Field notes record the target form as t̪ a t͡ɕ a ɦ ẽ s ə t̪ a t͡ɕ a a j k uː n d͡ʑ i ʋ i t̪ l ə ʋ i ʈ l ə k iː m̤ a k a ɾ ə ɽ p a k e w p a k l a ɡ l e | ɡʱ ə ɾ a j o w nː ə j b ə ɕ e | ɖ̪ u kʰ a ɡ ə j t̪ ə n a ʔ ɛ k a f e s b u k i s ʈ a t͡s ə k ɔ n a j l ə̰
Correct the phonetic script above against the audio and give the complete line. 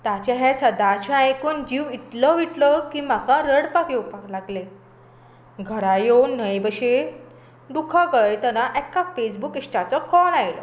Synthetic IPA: t̪ a t͡ɕ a ɦ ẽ s ə d̪ a t͡ɕ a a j k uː n d͡ʑ i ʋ i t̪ l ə ʋ i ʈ l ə k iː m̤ a k a ɾ ə ɽ p a k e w p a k l a ɡ l e | ɡʱ ə ɾ a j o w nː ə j b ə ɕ e | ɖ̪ u kʰ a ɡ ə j t̪ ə n a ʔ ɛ k a f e s b u k i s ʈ a t͡s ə k ɔ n a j l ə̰

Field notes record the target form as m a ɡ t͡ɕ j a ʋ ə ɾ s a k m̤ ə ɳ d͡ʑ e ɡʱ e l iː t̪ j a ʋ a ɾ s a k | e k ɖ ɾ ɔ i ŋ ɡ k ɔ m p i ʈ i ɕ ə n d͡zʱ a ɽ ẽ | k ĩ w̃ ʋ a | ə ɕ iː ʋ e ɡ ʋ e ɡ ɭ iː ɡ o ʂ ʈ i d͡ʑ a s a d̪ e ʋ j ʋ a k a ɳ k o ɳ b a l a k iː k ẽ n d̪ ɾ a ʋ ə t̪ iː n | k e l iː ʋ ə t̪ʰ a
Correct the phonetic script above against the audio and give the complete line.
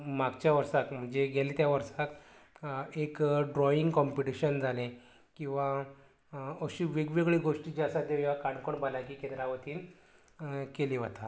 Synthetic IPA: m a ɡ t͡ɕ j a ʋ ə ɾ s a k m̤ ə ɳ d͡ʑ e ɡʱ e l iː t̪ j a ʋ ə ɾ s a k | e k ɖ ɾ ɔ i ŋ ɡ k ɔ m p i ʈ i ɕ ə n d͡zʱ a l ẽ | k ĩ w̃ ʋ a | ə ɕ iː ʋ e ɡ ʋ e ɡ ɭ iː ɡ o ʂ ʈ i d͡ʑ a s a d̪ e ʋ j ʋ a k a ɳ k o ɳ b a l a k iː k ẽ n d̪ ɾ a ʋ ə t̪ iː n | k e l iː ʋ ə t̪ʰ a

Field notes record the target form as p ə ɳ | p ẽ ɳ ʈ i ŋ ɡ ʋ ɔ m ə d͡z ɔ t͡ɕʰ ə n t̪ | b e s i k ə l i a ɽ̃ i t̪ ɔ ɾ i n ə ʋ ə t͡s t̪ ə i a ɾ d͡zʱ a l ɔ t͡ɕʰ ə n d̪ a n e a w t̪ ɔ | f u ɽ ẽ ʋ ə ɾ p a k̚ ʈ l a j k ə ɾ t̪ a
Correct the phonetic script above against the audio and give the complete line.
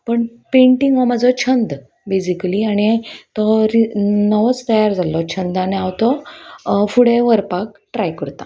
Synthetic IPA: p ə ɳ | p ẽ ɳ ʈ i ŋ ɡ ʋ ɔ m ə d͡z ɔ t͡ɕʰ ə n d̪ | b e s i k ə l i a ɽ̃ i t̪ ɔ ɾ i n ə ʋ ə t͡s t̪ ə j a ɾ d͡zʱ a l ɔ t͡ɕʰ ə n d̪ a n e a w t̪ ɔ | f u ɽ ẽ ʋ ə ɾ p a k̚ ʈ ɾ a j k ə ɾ t̪ a

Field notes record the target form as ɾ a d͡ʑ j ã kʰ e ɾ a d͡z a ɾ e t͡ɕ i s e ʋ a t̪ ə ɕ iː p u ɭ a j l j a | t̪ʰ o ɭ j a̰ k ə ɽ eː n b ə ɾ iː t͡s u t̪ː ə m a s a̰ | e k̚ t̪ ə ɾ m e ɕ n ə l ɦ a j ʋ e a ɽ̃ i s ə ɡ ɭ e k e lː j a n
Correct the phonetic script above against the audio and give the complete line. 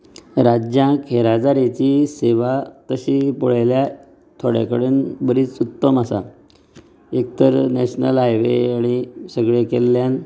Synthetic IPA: ɾ a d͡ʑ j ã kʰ e ɾ a d͡z a ɾ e t͡ɕ i s e ʋ a t̪ ə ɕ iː p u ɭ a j l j a | t̪ʰ o ɽ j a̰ k ə ɽ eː n b ə ɾ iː t͡s u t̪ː ə m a s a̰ | e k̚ t̪ ə ɾ n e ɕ n ə l ɦ a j ʋ e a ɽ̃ i s ə ɡ ɭ e k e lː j a n

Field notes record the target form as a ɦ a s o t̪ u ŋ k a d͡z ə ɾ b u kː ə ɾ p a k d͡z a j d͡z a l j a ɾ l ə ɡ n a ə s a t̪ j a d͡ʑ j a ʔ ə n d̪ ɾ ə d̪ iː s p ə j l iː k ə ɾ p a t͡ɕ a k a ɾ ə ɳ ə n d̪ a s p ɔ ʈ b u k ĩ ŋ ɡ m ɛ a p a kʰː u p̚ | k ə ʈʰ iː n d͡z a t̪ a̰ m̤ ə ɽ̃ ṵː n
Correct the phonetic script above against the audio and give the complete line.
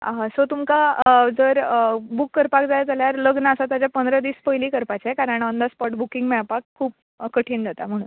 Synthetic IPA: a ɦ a s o t̪ u m k a d͡z ə ɾ b u kː ə ɾ p a k d͡z a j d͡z a l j a ɾ l ə ɡ n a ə s a t̪ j a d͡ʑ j a p ə n d̪ ɾ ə d̪ iː s p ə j l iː k ə ɾ p a t͡ɕ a k a ɾ ə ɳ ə n d̪ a s p ɔ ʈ b u k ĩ ŋ ɡ m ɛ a p a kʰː uː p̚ | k ə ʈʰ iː n d͡z a t̪ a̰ m̤ ə ɽ̃ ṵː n

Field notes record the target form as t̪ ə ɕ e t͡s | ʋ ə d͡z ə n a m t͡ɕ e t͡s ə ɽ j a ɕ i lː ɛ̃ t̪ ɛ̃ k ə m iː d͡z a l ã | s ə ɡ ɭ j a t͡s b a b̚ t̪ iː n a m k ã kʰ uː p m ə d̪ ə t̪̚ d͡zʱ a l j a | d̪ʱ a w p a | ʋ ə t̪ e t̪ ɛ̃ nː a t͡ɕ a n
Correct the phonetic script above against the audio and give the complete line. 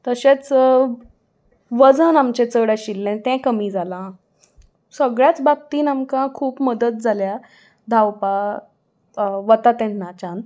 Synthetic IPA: t̪ ə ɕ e t͡s | ʋ ə d͡z ə n a m t͡ɕ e t͡s ə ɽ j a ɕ i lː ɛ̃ t̪ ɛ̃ k ə m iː d͡z a l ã | s ə ɡ ɭ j a t͡s b a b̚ t̪ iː n a m k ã kʰ uː p m ə d̪ ə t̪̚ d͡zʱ a l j a | d̪ʱ a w p a | ʋ ə t̪ a t̪ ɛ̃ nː a t͡ɕ a n

